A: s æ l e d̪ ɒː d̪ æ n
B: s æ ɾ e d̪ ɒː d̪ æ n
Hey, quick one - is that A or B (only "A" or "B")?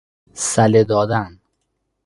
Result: A